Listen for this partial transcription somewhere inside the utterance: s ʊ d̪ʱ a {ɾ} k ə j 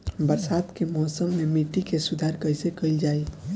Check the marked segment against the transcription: correct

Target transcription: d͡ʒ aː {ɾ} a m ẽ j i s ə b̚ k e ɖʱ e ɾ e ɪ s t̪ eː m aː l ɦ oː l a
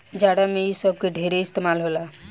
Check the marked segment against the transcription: incorrect: ɽ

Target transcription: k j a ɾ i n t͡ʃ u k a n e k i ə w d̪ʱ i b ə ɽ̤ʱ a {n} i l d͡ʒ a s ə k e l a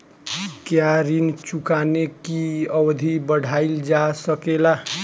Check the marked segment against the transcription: incorrect: none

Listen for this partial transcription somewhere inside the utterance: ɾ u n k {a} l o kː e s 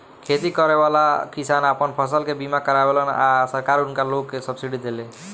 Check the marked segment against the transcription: correct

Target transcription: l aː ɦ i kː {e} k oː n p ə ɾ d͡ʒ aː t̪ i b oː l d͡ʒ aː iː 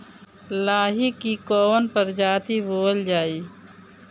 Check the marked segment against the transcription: incorrect: i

